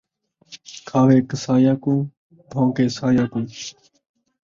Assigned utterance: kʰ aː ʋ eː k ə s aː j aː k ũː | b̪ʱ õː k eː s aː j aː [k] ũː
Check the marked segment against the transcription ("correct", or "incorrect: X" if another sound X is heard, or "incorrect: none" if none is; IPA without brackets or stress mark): correct